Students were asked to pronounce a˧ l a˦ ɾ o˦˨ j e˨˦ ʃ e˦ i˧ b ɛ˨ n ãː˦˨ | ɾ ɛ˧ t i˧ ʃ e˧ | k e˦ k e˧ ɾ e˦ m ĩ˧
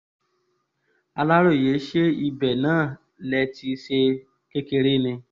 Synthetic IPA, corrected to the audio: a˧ l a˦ ɾ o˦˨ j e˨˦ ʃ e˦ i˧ b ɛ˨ n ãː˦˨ | l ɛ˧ t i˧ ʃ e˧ | k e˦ k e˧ ɾ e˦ n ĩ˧